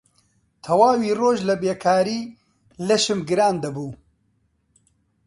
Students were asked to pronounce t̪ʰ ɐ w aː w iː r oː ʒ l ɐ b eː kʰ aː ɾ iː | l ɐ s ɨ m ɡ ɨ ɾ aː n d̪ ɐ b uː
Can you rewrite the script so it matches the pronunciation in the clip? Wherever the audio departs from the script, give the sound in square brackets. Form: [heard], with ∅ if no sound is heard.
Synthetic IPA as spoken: t̪ʰ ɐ w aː w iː r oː ʒ l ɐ b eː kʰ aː ɾ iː | l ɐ [ʃ] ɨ m ɡ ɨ ɾ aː n d̪ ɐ b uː